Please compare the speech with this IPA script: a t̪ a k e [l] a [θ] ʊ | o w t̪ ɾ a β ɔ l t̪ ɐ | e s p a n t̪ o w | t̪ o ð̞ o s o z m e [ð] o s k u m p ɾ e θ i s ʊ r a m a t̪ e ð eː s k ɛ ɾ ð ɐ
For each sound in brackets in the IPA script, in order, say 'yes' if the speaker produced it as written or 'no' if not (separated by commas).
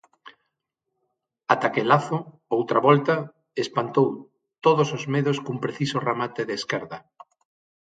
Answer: yes, yes, yes